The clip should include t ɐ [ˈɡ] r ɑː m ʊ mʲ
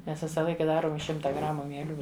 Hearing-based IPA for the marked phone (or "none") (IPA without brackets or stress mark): ɡ